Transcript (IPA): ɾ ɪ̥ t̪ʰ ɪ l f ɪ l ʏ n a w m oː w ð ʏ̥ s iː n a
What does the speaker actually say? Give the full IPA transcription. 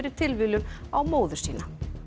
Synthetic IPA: ɾ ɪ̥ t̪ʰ ɪ l v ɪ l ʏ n a w m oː w ð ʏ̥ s iː n a